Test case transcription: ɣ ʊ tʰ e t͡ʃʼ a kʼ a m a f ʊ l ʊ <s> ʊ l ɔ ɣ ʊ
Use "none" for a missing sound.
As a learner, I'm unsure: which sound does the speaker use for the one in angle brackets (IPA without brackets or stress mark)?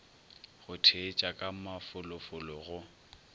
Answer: f